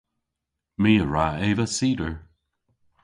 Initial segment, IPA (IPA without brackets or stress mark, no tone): m